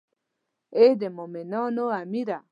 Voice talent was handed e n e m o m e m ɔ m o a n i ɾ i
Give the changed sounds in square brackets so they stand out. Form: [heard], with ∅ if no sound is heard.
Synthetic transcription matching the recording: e [d] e m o m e [n] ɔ [n] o a [m] i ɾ [a]